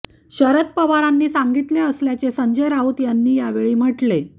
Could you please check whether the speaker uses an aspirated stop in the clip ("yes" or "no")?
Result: no